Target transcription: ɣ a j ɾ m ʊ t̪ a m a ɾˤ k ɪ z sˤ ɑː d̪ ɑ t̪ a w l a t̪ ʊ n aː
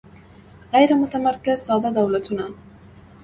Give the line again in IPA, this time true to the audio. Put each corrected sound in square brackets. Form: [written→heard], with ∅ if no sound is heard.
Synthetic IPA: ɣ a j ɾ m ʊ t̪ a m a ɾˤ k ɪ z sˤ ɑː d̪ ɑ [t̪→d̪] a w l a t̪ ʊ n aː